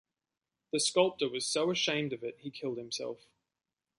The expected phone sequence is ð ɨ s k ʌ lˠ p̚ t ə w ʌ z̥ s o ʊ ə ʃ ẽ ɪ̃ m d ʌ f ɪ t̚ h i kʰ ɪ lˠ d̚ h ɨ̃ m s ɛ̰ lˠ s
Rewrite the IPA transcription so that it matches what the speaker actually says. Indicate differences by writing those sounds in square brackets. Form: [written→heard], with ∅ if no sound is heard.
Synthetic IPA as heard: ð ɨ s k ʌ lˠ p̚ t ə w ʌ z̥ s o ʊ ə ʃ ẽ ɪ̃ m d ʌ [f→v] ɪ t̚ h i kʰ ɪ lˠ d̚ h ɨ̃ m s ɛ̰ lˠ [s→f]